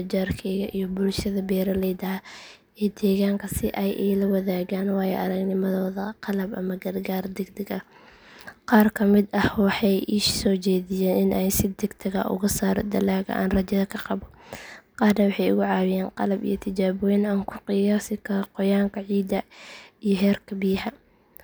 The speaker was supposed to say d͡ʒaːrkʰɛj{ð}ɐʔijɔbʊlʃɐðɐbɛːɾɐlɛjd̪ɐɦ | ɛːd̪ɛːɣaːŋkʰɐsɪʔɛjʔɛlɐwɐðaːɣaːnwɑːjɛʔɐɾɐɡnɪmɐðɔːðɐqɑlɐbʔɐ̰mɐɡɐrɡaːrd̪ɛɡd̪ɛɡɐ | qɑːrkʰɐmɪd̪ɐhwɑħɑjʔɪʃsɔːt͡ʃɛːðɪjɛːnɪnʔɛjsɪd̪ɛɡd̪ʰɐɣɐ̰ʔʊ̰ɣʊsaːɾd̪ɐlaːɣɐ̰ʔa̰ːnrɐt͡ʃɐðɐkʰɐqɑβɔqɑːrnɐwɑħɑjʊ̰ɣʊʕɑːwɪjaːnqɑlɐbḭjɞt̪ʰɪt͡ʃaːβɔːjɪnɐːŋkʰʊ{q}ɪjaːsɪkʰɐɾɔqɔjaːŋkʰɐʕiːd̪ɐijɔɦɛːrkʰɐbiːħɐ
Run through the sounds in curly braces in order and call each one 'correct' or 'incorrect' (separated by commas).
incorrect, correct